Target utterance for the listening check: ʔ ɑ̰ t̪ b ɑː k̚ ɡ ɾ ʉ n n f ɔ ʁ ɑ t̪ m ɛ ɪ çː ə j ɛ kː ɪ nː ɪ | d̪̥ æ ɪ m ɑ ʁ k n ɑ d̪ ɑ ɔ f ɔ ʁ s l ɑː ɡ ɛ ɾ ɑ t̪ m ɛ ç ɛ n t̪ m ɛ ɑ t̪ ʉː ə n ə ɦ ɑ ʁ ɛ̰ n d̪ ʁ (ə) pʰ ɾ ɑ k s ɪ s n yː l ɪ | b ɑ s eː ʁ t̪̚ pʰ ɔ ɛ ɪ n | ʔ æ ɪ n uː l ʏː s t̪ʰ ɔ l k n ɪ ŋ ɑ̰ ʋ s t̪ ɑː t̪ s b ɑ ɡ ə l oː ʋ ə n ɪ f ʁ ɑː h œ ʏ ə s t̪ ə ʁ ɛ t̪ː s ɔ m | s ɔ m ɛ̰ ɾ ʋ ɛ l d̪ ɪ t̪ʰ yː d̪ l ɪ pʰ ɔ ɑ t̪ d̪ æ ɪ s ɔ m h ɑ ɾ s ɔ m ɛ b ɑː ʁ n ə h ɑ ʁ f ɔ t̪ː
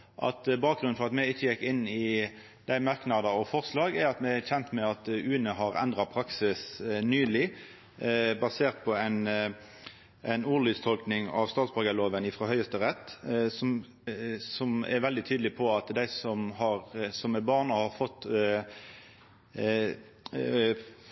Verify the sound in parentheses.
incorrect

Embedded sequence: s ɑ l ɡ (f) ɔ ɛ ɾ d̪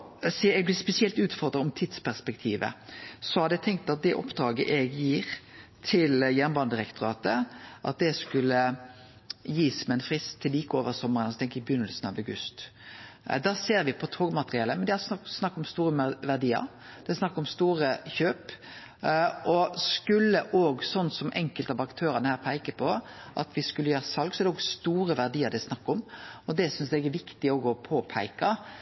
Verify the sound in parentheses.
incorrect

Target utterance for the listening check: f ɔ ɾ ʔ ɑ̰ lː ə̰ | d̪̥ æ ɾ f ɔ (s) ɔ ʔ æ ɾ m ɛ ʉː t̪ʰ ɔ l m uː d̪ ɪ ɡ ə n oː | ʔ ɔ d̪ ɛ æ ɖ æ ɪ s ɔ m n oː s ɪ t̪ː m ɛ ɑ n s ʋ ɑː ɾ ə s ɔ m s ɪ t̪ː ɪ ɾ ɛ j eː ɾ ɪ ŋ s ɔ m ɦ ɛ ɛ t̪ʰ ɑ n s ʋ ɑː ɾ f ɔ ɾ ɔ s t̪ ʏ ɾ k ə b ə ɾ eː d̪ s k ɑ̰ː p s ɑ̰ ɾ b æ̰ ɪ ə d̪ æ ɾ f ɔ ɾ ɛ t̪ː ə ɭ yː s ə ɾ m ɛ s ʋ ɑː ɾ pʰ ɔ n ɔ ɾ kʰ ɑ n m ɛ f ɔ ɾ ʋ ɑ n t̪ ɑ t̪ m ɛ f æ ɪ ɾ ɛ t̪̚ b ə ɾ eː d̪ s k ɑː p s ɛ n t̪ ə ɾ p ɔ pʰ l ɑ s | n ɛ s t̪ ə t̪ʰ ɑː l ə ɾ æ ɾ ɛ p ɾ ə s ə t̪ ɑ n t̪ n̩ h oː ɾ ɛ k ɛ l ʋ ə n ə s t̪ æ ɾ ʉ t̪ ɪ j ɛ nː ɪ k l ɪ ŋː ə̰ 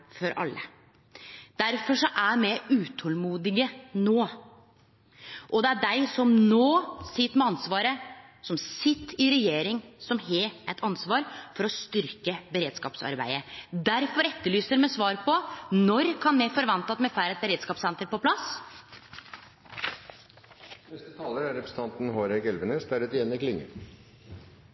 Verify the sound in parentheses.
incorrect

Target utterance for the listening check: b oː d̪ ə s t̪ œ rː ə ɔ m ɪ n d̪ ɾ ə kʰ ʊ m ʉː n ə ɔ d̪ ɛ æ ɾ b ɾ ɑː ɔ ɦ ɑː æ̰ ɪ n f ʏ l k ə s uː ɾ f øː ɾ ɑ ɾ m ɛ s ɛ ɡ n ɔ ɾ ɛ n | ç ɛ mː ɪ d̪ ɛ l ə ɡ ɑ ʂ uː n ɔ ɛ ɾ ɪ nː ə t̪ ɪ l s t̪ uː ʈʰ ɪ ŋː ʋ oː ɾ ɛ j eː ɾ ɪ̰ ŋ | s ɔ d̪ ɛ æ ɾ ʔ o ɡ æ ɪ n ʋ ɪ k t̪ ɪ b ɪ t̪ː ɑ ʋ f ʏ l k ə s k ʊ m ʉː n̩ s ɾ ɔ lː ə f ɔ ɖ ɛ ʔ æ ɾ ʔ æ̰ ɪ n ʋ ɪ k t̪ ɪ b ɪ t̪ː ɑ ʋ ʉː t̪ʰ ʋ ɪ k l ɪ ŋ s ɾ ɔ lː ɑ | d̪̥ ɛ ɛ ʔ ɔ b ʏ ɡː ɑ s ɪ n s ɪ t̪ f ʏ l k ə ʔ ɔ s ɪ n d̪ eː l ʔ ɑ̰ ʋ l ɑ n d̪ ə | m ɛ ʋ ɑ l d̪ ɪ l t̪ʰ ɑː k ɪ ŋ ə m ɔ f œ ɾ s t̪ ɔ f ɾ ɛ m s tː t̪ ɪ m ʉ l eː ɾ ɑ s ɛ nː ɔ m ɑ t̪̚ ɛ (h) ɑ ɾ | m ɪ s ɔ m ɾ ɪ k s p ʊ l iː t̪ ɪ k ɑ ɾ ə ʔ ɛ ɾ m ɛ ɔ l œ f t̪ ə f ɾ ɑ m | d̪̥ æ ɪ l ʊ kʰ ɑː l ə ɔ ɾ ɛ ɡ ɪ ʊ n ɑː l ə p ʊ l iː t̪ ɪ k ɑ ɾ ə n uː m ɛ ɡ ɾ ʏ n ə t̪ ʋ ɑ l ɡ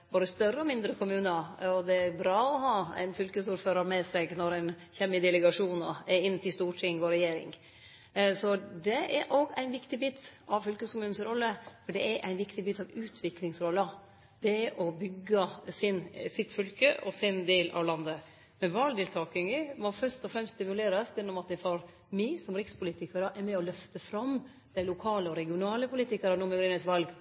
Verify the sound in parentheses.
incorrect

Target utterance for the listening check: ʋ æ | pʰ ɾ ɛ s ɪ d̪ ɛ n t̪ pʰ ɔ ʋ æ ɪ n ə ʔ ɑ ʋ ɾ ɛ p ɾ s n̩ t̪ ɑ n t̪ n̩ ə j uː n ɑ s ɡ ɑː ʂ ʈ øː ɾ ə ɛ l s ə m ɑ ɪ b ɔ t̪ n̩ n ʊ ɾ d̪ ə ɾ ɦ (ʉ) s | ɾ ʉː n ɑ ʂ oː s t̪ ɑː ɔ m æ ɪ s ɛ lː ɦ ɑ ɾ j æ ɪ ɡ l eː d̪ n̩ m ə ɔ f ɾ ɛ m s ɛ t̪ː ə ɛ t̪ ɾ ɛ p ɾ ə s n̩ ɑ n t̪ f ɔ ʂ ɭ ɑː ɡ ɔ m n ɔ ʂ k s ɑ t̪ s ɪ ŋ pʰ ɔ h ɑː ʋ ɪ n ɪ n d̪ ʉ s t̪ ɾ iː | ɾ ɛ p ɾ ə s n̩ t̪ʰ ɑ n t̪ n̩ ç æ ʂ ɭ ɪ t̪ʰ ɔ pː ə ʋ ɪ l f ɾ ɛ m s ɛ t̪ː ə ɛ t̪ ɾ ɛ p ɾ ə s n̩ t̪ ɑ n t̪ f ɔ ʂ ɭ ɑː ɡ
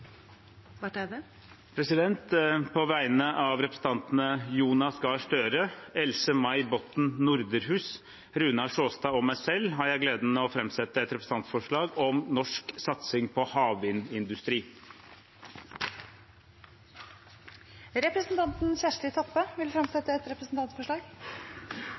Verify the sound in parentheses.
incorrect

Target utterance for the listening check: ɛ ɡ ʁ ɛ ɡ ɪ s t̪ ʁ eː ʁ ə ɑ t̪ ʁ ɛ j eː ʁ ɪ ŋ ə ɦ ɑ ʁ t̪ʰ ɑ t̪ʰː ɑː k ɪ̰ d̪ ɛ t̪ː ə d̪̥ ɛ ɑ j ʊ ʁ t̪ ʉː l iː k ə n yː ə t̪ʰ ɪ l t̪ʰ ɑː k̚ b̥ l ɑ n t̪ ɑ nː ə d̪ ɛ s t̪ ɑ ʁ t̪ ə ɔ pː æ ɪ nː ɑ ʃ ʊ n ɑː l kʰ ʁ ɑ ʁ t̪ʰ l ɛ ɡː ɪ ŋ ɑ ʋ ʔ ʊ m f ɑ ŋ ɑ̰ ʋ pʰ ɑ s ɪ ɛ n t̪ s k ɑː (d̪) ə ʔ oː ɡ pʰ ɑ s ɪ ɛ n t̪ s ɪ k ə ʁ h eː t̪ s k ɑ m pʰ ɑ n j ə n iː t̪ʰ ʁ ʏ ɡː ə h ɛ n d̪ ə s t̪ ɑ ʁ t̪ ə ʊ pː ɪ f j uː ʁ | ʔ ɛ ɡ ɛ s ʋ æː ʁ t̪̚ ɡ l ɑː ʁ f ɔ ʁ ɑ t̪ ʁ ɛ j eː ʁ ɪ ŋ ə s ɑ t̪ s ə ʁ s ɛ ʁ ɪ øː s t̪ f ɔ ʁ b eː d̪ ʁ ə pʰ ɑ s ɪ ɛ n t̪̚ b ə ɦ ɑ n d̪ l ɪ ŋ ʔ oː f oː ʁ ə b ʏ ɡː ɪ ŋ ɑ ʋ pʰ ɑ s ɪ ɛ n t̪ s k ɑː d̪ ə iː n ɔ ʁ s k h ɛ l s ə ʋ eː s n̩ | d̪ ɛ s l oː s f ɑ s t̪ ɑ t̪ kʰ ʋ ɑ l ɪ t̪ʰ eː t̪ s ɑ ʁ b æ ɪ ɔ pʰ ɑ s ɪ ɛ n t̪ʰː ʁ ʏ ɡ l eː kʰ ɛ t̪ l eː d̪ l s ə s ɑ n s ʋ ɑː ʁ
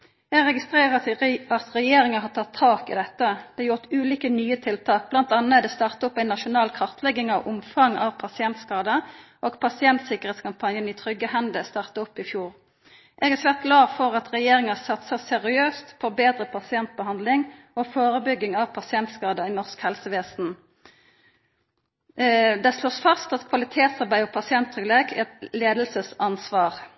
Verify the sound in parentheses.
correct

